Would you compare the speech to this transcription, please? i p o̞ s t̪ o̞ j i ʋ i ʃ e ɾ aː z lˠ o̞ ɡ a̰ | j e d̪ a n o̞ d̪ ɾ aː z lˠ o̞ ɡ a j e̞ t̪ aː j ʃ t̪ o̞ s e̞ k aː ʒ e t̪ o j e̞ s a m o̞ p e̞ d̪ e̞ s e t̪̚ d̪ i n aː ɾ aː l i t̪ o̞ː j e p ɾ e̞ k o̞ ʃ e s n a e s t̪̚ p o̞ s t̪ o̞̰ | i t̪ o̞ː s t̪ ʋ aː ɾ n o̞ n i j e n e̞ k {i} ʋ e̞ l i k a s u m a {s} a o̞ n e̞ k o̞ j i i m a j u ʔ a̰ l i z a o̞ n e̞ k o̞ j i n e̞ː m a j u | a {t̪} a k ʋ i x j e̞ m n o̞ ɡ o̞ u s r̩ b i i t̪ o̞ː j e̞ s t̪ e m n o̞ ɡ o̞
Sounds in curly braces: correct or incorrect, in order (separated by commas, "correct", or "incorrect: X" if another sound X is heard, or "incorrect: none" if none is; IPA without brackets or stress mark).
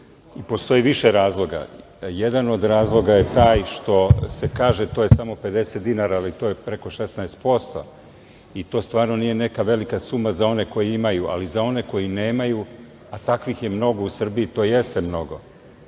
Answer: incorrect: a, incorrect: z, correct